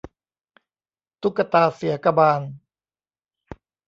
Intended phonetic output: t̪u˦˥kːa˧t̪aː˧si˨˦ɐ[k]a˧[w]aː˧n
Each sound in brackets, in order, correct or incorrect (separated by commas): correct, incorrect